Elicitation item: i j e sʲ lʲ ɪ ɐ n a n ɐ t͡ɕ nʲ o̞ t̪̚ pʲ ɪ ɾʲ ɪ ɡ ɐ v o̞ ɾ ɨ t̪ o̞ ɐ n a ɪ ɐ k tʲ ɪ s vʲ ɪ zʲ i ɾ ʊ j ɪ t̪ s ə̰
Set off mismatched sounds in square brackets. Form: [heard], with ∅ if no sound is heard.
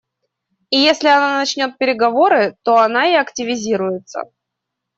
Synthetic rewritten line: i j e sʲ lʲ ɪ ɐ n a n ɐ t͡ɕ nʲ o̞ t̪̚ pʲ ɪ ɾʲ ɪ ɡ ɐ v o̞ ɾ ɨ t̪ o̞ ɐ n a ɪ ɐ k tʲ ɪ [∅] vʲ ɪ zʲ i ɾ ʊ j ɪ t̪ s ə̰